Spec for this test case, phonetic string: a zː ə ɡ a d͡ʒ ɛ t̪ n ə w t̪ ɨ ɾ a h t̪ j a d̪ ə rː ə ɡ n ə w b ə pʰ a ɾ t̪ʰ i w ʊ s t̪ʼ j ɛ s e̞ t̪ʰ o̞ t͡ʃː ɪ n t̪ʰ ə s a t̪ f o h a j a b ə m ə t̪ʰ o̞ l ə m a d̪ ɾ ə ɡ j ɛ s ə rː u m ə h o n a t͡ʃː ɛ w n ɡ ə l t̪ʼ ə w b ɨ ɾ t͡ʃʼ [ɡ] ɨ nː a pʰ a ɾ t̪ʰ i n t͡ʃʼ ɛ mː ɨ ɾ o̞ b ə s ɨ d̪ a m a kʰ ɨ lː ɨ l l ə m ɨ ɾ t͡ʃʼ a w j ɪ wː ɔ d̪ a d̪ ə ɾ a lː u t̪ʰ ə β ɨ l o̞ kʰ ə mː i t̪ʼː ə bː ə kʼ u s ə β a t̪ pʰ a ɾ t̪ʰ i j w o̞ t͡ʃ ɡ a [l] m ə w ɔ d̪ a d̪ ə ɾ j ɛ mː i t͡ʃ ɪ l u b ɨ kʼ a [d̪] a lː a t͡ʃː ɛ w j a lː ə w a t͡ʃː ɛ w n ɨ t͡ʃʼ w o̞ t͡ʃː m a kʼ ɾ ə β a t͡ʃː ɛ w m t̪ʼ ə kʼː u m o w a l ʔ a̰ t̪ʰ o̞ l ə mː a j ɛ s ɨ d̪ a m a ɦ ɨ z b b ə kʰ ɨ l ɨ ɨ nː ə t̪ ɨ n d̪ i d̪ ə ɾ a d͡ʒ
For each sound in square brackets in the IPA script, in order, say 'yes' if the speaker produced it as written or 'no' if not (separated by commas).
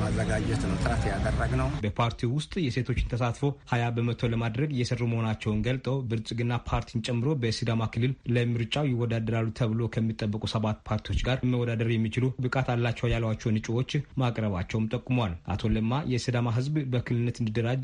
yes, no, no